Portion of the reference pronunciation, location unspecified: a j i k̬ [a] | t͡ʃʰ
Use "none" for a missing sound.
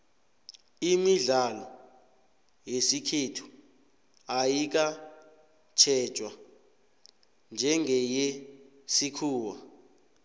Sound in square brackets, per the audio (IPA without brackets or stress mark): a